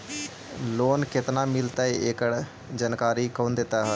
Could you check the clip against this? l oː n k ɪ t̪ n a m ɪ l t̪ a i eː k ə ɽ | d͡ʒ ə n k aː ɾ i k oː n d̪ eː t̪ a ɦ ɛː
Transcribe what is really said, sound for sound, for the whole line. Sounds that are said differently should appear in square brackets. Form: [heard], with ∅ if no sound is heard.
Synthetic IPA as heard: l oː n k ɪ t̪ n a m ɪ l t̪ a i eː k ə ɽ | d͡ʒ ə n k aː ɾ i k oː n d̪ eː t̪ a ɦ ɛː